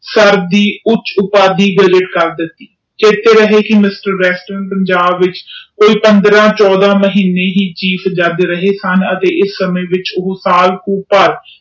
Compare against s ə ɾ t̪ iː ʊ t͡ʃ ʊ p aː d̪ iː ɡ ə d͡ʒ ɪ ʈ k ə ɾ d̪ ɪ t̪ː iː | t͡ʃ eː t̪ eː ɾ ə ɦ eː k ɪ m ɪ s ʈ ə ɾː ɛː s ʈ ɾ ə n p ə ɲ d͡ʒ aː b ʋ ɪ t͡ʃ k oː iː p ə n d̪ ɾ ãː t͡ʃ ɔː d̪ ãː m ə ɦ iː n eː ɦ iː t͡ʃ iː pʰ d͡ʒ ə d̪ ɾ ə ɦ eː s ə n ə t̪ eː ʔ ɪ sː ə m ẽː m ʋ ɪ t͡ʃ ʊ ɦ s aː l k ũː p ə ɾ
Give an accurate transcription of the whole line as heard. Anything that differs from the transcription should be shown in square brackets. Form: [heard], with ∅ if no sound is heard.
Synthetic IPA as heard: s ə ɾ [d̪] iː ʊ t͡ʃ ʊ p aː d̪ iː ɡ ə d͡ʒ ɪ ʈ k ə ɾ d̪ ɪ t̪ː iː | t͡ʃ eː t̪ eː ɾ ə ɦ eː k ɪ m ɪ s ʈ ə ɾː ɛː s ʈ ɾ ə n p ə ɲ d͡ʒ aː b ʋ ɪ t͡ʃ k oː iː p ə n d̪ ɾ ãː t͡ʃ ɔː d̪ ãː m ə ɦ iː n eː ɦ iː t͡ʃ iː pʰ d͡ʒ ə d̪ ɾ ə ɦ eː s ə n ə t̪ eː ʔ ɪ sː ə m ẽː [∅] ʋ ɪ t͡ʃ ʊ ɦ s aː l k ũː p ə ɾ

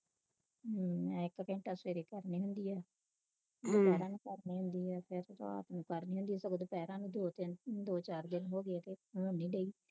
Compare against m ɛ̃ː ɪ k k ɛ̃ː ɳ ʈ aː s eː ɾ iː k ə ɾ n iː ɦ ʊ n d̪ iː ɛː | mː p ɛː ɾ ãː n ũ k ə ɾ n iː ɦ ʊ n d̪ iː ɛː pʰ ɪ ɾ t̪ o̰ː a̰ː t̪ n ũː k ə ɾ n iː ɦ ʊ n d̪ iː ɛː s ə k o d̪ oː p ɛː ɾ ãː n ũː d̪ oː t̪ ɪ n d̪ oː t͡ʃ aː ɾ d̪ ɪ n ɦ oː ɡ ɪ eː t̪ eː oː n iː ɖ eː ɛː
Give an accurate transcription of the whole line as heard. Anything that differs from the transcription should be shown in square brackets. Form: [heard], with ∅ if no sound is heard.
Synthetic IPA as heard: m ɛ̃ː ɪ k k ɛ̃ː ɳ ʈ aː s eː ɾ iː k ə ɾ n iː ɦ ʊ n d̪ iː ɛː | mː p ɛː ɾ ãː n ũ k ə ɾ n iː ɦ ʊ n d̪ iː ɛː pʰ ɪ ɾ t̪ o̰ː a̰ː t̪ n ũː k ə ɾ n iː ɦ ʊ n d̪ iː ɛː s ə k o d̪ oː p ɛː ɾ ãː n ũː d̪ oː t̪ ɪ n d̪ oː t͡ʃ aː ɾ d̪ ɪ n ɦ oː ɡ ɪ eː t̪ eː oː n iː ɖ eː [iː]

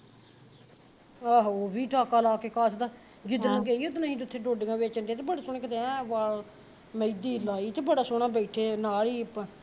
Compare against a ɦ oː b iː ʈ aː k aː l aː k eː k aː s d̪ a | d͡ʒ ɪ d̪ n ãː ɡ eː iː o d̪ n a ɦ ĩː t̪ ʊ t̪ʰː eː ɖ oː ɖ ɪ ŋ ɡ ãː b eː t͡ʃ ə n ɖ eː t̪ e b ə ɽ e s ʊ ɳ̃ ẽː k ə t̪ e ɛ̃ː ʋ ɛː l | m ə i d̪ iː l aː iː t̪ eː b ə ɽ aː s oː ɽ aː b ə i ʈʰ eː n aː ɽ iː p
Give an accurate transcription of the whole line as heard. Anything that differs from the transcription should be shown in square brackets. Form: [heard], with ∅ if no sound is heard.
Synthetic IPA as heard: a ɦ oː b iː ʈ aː k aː l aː k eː k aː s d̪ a | d͡ʒ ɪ d̪ n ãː ɡ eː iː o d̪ n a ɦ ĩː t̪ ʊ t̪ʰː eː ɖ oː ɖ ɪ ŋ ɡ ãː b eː t͡ʃ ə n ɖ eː t̪ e b ə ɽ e s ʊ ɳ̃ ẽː k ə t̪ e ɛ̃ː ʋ [aː] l | m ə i d̪ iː l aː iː t̪ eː b ə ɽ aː s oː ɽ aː b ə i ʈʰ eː n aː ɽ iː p

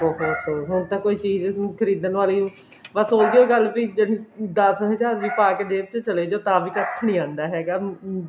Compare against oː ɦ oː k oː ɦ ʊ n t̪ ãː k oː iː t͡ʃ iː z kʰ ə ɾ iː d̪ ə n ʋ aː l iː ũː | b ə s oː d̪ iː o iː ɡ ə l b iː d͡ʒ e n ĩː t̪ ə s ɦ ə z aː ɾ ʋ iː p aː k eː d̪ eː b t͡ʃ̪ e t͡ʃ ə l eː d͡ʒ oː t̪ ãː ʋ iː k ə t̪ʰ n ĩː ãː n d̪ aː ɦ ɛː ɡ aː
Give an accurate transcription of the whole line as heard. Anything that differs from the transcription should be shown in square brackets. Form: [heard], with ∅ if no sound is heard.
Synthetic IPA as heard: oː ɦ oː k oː ɦ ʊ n t̪ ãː k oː iː t͡ʃ iː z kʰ ə ɾ iː d̪ ə n ʋ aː l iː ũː | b ə s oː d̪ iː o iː ɡ ə l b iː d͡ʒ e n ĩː [d̪] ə s ɦ ə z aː ɾ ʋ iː p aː k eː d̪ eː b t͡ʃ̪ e t͡ʃ ə l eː d͡ʒ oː t̪ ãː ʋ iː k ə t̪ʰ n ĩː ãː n d̪ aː ɦ ɛː ɡ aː

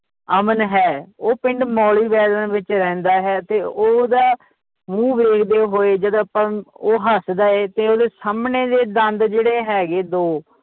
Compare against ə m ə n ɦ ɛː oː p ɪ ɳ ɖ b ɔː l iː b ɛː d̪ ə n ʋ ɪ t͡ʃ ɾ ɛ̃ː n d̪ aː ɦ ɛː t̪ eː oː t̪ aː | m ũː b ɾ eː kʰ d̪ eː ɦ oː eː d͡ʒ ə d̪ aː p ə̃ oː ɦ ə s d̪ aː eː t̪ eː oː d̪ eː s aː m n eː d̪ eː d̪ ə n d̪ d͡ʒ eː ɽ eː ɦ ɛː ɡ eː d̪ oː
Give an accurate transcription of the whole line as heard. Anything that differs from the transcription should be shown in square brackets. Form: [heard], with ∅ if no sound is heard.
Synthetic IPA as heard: ə m ə n ɦ ɛː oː p ɪ ɳ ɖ [m] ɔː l iː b ɛː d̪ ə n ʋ ɪ t͡ʃ ɾ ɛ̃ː n d̪ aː ɦ ɛː t̪ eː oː [d̪] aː | m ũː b ɾ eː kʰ d̪ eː ɦ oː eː d͡ʒ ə d̪ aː p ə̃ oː ɦ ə s d̪ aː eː t̪ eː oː d̪ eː s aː m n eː d̪ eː d̪ ə n d̪ d͡ʒ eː ɽ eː ɦ ɛː ɡ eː d̪ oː

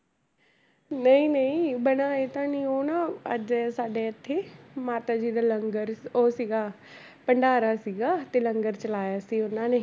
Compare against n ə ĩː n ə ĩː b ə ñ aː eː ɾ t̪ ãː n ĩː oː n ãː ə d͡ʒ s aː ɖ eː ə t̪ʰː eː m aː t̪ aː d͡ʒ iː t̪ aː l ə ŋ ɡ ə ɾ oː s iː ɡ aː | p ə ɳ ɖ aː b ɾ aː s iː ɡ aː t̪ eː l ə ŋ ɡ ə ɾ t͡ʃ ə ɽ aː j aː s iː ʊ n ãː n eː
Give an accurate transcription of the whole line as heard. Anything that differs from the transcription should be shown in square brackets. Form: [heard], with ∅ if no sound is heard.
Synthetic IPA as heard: n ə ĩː n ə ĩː b ə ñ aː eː [∅] t̪ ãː n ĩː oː n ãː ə d͡ʒ s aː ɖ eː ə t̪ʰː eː m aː t̪ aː d͡ʒ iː [d̪] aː l ə ŋ ɡ ə ɾ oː s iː ɡ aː | p ə ɳ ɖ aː [∅] ɾ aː s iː ɡ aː t̪ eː l ə ŋ ɡ ə ɾ t͡ʃ ə [l] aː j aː s iː ʊ n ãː n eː

